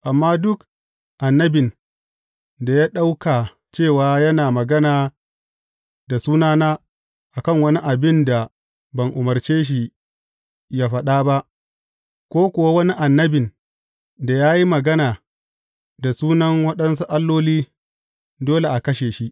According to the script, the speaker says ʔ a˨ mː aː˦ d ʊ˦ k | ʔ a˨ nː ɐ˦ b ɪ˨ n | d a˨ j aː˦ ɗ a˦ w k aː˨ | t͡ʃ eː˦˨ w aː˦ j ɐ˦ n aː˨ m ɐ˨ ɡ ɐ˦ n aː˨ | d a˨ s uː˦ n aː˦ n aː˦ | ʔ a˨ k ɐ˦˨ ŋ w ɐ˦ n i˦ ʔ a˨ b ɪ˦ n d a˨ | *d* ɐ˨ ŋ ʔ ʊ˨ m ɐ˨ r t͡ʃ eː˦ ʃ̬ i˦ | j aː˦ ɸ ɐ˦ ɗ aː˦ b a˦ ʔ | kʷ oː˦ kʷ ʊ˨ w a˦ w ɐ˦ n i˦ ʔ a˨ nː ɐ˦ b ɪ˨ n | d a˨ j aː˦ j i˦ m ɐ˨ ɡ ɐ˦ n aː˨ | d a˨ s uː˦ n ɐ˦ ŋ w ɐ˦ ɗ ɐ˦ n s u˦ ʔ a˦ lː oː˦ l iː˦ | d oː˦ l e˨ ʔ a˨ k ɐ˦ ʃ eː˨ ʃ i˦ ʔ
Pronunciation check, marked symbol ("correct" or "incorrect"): incorrect